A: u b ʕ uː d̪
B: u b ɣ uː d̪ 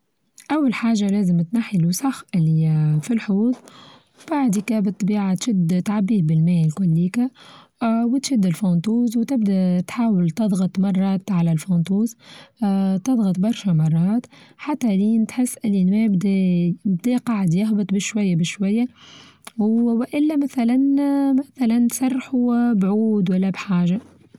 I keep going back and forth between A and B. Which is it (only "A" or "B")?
A